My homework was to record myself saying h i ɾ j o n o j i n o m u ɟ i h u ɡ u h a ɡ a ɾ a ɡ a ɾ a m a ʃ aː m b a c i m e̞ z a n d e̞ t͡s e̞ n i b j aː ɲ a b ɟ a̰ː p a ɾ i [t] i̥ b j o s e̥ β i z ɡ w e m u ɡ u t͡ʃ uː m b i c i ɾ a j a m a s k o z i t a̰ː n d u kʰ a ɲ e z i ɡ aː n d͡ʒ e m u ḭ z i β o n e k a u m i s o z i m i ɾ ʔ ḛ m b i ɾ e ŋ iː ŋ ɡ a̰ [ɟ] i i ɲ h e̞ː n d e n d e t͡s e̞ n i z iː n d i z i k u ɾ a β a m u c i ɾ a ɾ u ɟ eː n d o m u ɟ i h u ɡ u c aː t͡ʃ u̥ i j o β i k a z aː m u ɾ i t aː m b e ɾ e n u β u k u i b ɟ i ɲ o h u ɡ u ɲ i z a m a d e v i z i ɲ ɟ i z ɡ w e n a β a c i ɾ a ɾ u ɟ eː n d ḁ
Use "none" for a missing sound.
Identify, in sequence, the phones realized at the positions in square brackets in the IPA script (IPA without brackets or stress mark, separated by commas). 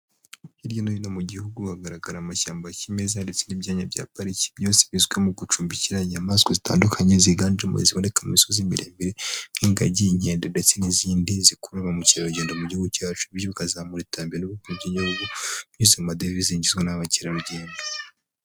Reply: c, ɟ